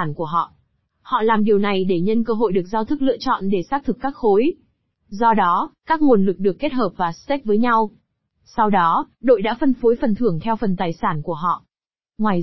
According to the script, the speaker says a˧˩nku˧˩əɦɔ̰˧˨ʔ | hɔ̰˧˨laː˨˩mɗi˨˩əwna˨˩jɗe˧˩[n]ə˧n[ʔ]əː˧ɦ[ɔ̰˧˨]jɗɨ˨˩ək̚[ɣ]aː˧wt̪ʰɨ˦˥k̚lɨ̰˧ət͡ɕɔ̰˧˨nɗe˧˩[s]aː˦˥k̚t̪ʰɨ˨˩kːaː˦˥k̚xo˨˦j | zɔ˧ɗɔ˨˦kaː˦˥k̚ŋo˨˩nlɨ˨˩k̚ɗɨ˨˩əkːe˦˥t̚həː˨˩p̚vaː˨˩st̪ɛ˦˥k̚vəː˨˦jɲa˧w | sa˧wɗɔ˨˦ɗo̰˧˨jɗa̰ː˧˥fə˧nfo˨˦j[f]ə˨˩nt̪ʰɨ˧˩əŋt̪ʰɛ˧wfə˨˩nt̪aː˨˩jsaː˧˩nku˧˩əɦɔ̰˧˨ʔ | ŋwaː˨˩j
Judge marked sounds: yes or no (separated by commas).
no, no, no, no, yes, yes